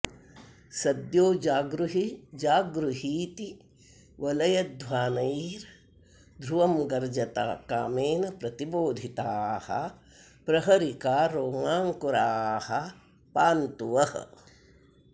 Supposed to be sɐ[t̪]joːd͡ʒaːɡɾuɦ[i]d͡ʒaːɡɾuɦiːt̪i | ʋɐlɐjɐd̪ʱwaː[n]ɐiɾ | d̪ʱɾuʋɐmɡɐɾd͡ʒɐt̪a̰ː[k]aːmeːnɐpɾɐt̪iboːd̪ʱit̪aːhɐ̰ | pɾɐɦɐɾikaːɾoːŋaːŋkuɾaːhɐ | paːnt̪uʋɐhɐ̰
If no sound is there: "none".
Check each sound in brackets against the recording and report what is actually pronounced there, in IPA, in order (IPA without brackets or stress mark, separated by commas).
d̪, i, n, k